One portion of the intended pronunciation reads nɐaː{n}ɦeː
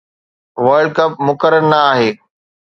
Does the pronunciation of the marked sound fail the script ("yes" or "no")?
yes